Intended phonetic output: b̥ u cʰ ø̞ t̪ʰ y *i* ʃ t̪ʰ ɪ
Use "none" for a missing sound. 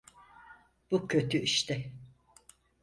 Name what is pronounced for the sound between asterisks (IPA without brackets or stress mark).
i